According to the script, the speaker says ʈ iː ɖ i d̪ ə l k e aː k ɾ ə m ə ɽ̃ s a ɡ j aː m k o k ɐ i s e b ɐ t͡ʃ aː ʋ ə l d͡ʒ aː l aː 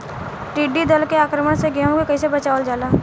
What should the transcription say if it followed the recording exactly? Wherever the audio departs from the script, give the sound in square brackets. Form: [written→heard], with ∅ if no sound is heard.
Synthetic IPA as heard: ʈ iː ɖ i d̪ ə l k e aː k ɾ ə m ə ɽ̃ s [a→e] ɡ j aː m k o k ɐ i s e b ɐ t͡ʃ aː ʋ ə l d͡ʒ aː l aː